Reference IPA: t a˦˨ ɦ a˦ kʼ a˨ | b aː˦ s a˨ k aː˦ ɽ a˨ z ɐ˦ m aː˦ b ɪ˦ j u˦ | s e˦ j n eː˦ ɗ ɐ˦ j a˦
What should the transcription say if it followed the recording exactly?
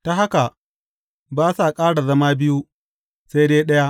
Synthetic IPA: t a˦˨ ɦ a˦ k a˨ | b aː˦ s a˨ kʼ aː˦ ɽ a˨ z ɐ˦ m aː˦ b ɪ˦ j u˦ | s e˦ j d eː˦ ɗ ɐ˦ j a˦